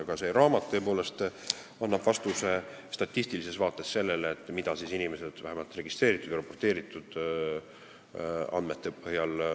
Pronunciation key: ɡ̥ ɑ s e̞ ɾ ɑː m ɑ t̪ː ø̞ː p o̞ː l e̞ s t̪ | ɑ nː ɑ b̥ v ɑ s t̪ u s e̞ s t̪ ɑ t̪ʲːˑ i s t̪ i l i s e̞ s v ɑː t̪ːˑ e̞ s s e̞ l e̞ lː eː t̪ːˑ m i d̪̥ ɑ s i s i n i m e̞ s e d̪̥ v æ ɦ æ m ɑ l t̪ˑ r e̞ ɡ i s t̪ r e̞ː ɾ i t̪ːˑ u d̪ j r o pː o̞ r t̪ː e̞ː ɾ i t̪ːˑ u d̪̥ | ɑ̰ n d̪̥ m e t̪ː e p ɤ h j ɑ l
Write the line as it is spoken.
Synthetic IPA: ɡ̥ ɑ s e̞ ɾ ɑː m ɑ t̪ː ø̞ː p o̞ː l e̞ s t̪ | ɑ nː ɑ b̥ v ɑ s t̪ u s e̞ s t̪ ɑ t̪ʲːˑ i s t̪ i l i s e̞ s v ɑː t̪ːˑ e̞ s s e̞ lː e̞ l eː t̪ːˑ m i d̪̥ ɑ s i s i n i m e̞ s e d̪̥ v æ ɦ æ m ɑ l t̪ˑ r e̞ ɡ i s t̪ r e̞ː ɾ i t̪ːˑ u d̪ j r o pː o̞ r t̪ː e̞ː ɾ i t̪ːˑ u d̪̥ | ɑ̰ n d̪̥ m e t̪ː e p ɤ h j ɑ l